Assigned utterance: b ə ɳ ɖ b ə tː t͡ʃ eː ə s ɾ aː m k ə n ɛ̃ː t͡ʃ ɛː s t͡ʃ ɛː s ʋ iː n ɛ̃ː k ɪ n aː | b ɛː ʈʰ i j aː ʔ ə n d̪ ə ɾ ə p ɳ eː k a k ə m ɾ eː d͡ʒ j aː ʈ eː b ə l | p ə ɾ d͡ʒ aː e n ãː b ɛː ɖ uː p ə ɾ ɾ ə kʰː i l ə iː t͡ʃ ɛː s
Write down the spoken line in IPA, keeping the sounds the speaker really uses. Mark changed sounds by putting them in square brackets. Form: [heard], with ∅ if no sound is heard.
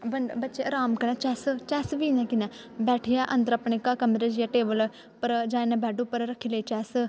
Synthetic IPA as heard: b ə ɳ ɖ b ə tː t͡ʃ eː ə [∅] ɾ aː m k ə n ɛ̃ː t͡ʃ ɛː s t͡ʃ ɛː s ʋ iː n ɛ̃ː k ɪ n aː | b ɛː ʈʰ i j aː ʔ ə n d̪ ə ɾ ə p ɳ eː k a k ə m ɾ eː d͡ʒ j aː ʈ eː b ə l | p ə ɾ d͡ʒ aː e n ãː b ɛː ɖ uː p ə ɾ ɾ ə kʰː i l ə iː t͡ʃ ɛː s

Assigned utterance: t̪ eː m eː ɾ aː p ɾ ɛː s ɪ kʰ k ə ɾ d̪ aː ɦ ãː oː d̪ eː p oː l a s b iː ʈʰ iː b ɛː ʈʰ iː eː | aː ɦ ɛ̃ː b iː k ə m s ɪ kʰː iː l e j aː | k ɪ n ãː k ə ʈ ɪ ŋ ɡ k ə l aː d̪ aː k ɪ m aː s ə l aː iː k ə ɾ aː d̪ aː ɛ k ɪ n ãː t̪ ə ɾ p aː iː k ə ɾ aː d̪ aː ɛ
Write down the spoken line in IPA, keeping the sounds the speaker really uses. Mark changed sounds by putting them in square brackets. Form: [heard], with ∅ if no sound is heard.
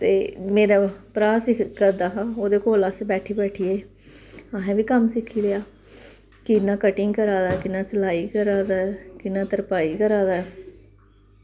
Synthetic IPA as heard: t̪ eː m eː ɾ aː p ɾ [aː] s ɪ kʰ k ə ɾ d̪ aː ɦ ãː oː d̪ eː [k] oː l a s b [ɛː] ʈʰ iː b ɛː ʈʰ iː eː | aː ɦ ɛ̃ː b iː k ə m s ɪ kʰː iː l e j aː | k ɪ n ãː k ə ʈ ɪ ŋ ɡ k ə [ɾ] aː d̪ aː k ɪ [n] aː s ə l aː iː k ə ɾ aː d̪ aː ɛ k ɪ n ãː t̪ ə ɾ p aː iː k ə ɾ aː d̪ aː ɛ

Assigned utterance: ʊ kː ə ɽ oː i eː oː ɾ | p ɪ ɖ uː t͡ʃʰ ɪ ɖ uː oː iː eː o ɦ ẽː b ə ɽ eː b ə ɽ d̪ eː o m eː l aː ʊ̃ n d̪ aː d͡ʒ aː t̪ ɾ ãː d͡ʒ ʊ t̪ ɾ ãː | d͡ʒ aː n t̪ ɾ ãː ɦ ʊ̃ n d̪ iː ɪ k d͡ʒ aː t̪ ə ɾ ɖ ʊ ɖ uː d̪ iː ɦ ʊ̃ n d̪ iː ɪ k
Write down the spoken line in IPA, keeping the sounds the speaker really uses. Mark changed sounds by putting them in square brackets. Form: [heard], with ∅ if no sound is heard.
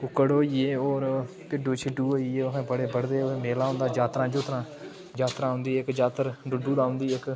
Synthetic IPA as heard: ʊ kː ə ɽ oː i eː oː ɾ | p ɪ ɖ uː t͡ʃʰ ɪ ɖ uː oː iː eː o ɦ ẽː b ə ɽ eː b ə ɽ d̪ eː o m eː l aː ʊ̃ n d̪ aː d͡ʒ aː t̪ ɾ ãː d͡ʒ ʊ t̪ ɾ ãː | d͡ʒ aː [∅] t̪ ɾ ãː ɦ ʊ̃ n d̪ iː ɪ k d͡ʒ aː t̪ ə ɾ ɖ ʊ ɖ uː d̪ [aː] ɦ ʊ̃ n d̪ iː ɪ k

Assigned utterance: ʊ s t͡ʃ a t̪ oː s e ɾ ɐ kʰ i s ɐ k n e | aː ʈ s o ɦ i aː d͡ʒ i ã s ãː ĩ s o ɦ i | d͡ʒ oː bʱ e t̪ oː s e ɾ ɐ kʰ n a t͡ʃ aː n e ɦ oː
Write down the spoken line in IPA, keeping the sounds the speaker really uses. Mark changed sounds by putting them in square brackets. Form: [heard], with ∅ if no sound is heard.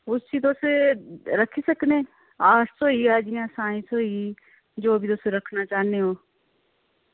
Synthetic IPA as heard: ʊ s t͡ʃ [i] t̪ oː s e ɾ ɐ kʰ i s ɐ k n e | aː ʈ s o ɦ i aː d͡ʒ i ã s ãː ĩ s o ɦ i | d͡ʒ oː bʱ [i] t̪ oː s e ɾ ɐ kʰ n a t͡ʃ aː n e ɦ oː

